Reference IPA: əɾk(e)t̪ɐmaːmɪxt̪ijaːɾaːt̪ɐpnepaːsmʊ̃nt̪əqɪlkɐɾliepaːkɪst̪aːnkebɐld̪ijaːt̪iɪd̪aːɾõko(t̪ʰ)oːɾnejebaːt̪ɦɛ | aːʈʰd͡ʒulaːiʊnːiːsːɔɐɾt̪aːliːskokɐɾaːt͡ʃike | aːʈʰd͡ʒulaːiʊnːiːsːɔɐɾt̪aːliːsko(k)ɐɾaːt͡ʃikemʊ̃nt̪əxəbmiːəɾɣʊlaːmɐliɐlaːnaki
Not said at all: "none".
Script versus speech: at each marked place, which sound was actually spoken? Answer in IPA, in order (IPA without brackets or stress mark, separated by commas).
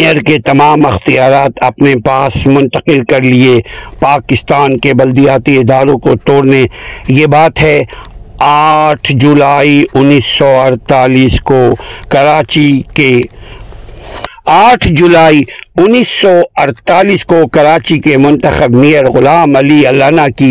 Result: e, t̪, k